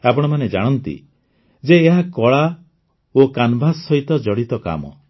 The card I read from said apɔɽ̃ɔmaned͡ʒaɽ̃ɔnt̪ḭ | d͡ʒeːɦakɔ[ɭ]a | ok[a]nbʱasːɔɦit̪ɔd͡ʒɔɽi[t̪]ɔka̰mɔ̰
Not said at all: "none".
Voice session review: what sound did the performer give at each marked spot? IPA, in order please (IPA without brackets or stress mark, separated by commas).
ɭ, a, t̪